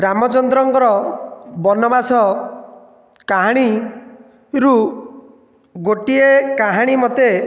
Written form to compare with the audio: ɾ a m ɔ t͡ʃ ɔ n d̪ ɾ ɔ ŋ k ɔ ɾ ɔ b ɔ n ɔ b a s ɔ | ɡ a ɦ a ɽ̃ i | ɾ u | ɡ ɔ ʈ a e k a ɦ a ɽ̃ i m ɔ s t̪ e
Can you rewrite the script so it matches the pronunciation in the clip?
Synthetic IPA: ɾ a m ɔ t͡ʃ ɔ n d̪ ɾ ɔ ŋ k ɔ ɾ ɔ b ɔ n ɔ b a s ɔ | k a ɦ a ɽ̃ i | ɾ u | ɡ o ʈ i e k a ɦ a ɽ̃ i m ɔ t̪ e